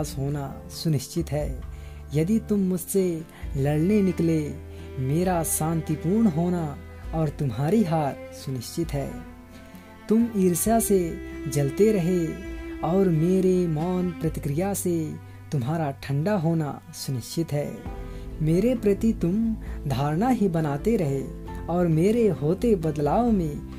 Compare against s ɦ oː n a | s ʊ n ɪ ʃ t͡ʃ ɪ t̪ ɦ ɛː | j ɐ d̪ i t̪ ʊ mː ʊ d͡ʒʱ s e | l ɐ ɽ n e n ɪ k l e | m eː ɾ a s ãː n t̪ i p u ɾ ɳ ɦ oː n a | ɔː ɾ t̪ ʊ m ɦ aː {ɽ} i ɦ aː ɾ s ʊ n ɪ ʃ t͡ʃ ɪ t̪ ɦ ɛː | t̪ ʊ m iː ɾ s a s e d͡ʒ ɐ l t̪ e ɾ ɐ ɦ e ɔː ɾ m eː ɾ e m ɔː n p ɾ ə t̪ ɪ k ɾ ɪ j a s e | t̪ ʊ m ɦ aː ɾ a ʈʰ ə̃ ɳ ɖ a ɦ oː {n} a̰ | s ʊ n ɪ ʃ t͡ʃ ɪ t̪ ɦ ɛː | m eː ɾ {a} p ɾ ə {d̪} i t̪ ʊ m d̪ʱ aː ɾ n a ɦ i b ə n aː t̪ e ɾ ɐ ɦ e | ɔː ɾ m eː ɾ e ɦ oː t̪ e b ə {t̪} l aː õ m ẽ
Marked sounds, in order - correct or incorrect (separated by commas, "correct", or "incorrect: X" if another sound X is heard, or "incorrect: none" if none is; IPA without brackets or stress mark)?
incorrect: ɾ, correct, incorrect: e, incorrect: t̪, incorrect: d̪